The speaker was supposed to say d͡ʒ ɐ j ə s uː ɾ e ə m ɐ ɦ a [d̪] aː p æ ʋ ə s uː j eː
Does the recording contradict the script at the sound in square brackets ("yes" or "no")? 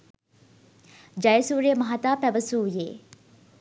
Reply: yes